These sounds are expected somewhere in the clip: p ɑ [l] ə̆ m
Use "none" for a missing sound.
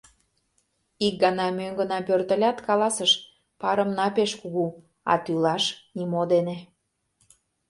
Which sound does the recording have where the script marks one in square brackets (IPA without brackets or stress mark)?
ɾ